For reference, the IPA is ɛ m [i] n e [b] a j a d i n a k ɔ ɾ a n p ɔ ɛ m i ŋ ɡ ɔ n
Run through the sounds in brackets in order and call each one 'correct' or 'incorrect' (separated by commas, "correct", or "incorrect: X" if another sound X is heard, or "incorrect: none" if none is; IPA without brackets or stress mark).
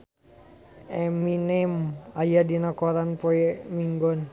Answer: correct, incorrect: m